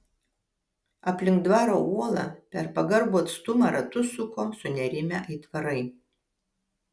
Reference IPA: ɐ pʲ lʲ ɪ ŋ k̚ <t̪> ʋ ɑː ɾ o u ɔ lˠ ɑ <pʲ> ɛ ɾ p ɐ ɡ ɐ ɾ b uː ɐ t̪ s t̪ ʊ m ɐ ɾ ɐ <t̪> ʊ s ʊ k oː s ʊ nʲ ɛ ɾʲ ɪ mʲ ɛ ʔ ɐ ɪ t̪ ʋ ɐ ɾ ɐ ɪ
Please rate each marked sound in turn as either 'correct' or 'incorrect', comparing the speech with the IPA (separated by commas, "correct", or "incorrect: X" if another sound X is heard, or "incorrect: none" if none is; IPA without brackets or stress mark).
incorrect: d̪, correct, correct